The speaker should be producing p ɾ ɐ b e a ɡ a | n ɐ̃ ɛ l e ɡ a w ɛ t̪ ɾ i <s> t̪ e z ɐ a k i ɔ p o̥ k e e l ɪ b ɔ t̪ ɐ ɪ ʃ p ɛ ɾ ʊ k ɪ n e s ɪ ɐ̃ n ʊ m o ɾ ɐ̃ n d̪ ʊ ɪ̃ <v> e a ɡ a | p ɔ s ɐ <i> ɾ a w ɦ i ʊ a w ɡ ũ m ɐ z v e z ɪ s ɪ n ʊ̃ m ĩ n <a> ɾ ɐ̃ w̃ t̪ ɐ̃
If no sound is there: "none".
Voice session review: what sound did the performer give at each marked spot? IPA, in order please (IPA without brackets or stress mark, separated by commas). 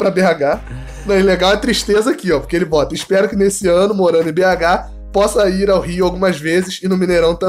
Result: ʃ, b, i, e